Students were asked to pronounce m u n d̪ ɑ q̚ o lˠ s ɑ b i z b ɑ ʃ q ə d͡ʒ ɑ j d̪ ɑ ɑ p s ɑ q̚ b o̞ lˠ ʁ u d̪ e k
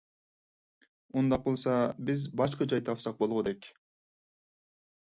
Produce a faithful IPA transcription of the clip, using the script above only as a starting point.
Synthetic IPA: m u n d̪ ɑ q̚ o lˠ s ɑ b i z b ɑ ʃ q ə d͡ʒ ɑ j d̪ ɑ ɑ p s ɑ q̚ b o̞ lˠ ʁ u d̪ e k